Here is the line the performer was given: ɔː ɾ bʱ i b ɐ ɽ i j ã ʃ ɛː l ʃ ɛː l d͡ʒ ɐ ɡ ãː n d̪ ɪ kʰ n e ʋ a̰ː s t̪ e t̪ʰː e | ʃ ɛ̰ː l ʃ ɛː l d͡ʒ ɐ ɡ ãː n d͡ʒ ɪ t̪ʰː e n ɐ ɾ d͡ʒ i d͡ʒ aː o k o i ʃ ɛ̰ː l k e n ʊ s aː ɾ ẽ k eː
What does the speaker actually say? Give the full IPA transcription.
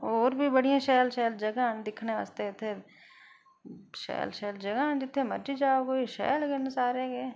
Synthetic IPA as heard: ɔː ɾ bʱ i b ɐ ɽ i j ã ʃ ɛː l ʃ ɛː l d͡ʒ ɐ ɡ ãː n d̪ ɪ kʰ n e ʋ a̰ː s t̪ e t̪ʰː e | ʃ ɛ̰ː l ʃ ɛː l d͡ʒ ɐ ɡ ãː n d͡ʒ ɪ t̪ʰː e m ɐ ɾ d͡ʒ i d͡ʒ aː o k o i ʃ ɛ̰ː l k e n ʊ s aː ɾ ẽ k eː